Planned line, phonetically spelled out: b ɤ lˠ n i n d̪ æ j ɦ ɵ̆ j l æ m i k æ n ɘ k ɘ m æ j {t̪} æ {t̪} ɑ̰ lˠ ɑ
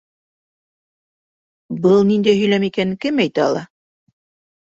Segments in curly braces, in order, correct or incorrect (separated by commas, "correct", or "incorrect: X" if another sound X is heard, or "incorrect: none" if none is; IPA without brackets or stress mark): correct, incorrect: none